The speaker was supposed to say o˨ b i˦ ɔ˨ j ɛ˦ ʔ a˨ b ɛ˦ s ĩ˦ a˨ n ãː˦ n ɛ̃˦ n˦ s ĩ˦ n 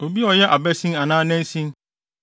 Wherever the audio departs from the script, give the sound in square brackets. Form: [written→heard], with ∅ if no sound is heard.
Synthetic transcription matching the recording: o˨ b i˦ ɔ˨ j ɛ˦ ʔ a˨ b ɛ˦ s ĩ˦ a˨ n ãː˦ n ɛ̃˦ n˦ s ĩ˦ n